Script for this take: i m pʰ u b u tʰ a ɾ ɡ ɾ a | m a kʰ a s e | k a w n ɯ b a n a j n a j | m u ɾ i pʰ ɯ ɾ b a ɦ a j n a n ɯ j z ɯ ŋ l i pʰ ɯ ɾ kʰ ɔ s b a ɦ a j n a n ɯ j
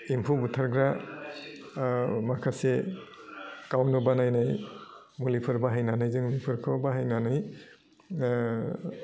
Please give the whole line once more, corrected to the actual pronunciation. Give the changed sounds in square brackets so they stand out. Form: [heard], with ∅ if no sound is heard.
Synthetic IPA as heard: i m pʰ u b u tʰ a ɾ ɡ ɾ a | m a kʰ a s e | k a w n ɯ b a n a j n a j | m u [l] i pʰ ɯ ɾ b a ɦ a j n a n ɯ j z ɯ ŋ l i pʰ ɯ ɾ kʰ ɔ [∅] b a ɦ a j n a n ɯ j